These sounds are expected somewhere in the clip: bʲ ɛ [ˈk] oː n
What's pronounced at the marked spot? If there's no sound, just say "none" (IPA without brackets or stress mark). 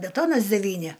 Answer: t